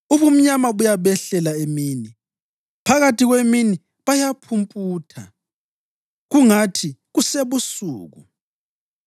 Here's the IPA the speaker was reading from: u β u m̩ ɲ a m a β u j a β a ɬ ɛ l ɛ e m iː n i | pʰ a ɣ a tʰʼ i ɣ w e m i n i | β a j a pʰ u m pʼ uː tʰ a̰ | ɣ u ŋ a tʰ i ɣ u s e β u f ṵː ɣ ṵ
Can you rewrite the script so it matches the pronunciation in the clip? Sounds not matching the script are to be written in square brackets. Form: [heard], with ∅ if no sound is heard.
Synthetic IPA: u β u m̩ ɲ a m a β u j a β [ɛ] ɬ ɛ l [a] e m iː n i | pʰ a ɣ a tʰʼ i ɣ w e m i n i | β a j a pʰ u m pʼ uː tʰ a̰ | ɣ u ŋ a tʰ i ɣ u s e β u [s] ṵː ɣ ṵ